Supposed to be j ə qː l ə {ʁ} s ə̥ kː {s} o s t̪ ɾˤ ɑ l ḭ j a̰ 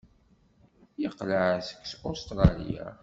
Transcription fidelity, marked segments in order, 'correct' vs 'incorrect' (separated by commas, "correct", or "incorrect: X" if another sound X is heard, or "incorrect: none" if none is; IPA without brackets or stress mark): incorrect: ʕ, correct